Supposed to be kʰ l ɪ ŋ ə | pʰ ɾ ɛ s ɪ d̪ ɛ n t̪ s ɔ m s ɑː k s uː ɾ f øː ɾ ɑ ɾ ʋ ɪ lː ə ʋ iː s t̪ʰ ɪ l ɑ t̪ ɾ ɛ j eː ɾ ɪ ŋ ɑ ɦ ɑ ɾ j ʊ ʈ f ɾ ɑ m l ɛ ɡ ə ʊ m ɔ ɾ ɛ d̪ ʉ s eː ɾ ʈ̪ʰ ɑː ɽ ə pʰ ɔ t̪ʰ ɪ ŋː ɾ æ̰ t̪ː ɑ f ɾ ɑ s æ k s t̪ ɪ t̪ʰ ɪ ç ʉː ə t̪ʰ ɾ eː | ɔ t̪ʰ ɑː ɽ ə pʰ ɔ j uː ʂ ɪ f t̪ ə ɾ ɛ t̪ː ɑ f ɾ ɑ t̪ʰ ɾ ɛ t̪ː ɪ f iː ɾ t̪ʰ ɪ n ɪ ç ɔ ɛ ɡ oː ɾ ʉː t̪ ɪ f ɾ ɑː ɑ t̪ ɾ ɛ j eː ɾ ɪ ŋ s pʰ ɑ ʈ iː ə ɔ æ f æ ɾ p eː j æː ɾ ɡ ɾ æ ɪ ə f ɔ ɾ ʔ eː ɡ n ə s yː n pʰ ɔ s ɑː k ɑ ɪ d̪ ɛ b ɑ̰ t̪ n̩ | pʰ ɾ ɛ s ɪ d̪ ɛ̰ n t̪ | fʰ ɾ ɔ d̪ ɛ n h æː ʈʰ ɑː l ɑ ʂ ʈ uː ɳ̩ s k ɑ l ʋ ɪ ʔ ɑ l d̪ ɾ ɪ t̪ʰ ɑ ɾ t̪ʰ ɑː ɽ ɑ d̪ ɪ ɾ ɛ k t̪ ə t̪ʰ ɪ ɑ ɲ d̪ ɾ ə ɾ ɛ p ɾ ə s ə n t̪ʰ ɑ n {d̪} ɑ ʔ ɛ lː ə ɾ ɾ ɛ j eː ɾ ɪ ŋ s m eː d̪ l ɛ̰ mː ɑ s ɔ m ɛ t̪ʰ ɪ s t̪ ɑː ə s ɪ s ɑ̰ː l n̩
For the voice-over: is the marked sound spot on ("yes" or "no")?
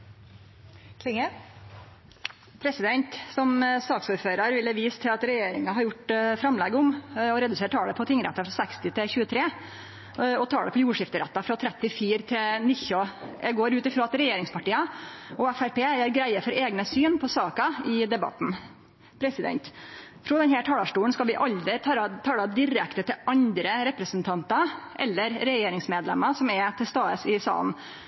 no